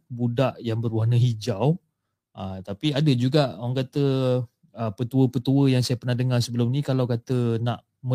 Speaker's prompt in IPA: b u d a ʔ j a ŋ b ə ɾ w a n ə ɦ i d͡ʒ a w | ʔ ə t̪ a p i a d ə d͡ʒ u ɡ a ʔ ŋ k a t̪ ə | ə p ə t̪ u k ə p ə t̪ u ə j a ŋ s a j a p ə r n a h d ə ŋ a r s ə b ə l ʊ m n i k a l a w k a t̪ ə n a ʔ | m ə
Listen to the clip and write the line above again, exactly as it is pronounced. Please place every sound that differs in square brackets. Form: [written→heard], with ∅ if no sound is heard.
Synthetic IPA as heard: b u d a ʔ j a ŋ b ə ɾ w a n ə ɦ i d͡ʒ a w | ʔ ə t̪ a p i a d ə d͡ʒ u ɡ a ʔ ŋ k a t̪ ə | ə p ə t̪ u [k→∅] ə p ə t̪ u ə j a ŋ s a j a p ə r n a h d ə ŋ a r s ə b ə l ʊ m n i k a l a w k a t̪ ə n a ʔ | m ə